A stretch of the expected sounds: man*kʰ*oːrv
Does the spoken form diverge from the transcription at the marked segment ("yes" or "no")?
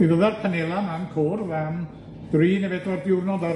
no